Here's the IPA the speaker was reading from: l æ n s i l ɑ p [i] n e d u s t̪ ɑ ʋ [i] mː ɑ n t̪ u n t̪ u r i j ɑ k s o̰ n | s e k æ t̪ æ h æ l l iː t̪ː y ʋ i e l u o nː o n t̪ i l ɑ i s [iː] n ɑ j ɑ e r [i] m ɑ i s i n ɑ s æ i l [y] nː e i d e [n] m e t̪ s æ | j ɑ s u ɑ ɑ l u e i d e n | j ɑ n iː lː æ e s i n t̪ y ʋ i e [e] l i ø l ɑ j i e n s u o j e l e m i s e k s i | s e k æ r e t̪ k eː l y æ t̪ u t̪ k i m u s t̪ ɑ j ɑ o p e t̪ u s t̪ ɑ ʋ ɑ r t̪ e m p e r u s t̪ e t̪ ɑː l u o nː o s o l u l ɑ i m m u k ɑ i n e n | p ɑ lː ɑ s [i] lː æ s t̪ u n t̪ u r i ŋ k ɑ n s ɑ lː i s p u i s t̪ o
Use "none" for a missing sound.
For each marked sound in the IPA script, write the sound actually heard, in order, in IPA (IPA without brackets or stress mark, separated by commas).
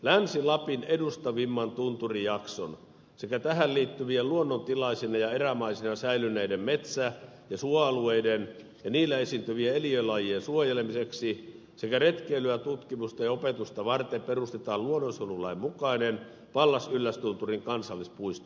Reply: i, i, i, æ, y, m, e, y